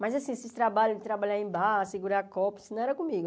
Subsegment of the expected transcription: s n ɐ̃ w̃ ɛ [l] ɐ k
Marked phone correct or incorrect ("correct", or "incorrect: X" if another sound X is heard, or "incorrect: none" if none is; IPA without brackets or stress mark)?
incorrect: ɾ